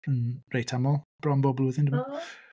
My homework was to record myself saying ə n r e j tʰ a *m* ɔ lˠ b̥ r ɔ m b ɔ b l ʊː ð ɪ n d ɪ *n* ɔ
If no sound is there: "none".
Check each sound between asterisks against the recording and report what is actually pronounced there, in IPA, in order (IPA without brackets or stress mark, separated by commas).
m, m